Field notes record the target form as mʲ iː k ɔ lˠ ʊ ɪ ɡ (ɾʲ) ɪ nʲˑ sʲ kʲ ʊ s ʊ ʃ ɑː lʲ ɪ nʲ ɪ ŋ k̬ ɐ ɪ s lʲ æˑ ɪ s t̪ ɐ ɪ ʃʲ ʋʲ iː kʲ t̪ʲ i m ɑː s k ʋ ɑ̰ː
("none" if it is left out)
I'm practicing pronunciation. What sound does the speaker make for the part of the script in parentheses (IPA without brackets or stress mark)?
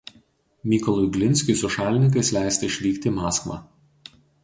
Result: lʲ